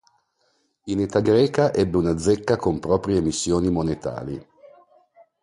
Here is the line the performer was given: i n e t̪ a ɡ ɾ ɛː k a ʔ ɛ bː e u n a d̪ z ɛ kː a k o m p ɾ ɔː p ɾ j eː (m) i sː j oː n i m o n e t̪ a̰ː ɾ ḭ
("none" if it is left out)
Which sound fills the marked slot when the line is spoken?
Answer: m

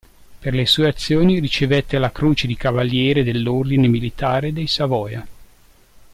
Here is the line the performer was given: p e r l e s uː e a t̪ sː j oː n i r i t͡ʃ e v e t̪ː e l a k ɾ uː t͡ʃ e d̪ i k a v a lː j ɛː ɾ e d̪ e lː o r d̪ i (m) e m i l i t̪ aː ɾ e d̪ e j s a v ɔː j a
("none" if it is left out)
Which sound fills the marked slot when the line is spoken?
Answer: n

